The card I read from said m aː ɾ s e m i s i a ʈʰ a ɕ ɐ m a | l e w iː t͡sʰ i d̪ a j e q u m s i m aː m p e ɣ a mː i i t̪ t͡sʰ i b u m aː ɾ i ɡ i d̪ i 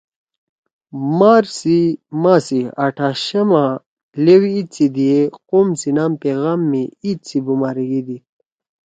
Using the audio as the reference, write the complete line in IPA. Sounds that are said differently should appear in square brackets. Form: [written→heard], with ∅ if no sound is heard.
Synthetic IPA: m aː ɾ s [e→i] m [i→a] s i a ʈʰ a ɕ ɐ m a | l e w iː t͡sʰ i d̪ [a→i] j e q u m s i [m→n] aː m p e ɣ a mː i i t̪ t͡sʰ i b u m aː ɾ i ɡ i d̪ i